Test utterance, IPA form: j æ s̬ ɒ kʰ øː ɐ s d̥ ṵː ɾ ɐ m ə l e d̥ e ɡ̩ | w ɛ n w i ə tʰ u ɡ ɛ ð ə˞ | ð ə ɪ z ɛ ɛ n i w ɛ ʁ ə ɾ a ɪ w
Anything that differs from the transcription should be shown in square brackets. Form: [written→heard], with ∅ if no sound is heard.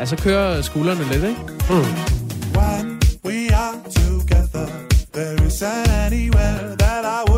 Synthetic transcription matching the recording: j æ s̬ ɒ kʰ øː ɐ s [d̥→ɡ̥] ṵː [ɾ→l] ɐ [m→n] ə l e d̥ e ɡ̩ | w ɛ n w i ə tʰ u ɡ ɛ ð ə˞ | ð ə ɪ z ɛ ɛ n i w ɛ [ʁ→ð] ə ɾ a ɪ w